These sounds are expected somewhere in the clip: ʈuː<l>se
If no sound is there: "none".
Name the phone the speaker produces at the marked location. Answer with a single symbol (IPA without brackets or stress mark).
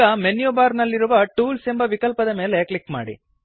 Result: l